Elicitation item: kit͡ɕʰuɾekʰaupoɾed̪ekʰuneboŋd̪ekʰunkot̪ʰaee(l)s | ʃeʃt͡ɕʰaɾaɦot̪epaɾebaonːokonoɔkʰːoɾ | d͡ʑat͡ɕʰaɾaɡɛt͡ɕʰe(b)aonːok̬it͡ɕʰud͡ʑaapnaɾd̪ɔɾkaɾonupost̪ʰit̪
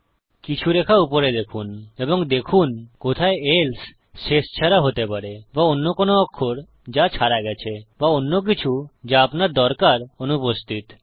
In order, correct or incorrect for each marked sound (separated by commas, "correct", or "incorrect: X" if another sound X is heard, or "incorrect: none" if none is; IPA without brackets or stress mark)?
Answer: correct, correct